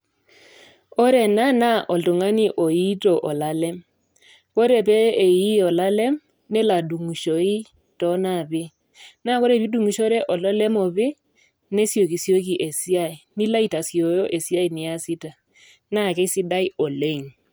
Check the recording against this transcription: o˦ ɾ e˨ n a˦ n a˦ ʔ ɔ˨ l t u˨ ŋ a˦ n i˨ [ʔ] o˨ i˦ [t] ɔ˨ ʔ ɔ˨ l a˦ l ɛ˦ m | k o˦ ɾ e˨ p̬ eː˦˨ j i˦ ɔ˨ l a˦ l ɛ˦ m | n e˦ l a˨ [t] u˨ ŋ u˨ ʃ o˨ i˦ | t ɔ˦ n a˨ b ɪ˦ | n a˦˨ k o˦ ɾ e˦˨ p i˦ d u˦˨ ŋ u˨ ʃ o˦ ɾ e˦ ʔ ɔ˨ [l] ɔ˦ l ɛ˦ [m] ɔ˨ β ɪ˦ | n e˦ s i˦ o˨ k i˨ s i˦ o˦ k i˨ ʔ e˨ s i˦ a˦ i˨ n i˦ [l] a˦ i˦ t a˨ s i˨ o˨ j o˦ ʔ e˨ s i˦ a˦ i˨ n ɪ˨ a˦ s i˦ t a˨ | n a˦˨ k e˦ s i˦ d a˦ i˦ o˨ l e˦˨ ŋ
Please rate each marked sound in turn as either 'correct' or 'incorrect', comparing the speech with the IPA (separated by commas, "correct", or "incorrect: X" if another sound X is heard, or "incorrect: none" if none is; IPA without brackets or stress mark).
correct, correct, incorrect: d, correct, correct, correct